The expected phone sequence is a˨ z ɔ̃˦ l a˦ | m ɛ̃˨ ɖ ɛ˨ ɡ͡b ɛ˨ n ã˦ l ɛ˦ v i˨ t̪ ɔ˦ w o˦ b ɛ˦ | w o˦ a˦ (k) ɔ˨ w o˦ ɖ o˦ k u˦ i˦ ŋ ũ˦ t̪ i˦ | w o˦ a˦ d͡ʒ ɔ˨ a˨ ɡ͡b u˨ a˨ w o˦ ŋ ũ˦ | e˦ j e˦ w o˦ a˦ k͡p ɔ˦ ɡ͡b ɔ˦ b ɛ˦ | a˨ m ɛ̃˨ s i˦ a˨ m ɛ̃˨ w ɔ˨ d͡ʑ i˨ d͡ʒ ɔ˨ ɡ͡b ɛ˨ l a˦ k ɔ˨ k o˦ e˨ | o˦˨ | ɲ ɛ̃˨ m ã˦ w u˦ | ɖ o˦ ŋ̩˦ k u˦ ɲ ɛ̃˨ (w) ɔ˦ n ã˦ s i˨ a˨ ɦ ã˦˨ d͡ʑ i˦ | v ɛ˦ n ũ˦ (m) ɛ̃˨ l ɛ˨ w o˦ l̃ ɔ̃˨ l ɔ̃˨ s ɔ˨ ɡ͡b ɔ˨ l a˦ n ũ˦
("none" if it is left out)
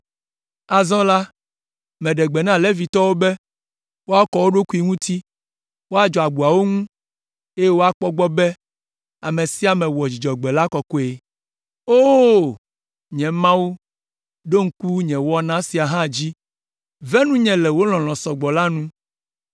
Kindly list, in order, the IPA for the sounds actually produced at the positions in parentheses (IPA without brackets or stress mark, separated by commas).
k, w, ɲ